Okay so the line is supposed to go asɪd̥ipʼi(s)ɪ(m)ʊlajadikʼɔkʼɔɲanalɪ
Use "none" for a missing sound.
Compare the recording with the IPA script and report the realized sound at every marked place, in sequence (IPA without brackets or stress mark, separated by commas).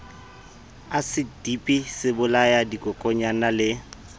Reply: s, b